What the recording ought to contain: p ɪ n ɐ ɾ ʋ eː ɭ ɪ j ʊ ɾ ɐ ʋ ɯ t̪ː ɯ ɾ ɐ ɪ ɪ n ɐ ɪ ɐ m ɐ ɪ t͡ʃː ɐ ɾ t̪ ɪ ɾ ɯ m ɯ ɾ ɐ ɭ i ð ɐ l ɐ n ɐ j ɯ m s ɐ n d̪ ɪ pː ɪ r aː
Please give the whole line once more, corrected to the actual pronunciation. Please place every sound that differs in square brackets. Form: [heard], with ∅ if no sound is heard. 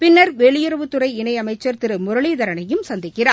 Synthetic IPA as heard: p ɪ [nː] ɐ ɾ ʋ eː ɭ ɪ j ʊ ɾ ɐ ʋ ɯ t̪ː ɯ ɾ ɐ ɪ ɪ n ɐ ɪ ɐ m ɐ ɪ t͡ʃː ɐ ɾ t̪ ɪ ɾ ɯ m [ʊ] ɾ ɐ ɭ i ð ɐ [ɾ] ɐ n ɐ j ɯ m s ɐ n d̪ ɪ [kː] ɪ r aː